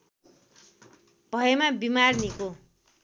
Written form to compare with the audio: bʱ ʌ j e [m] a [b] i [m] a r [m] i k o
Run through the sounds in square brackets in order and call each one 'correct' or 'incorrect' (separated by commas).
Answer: correct, correct, correct, incorrect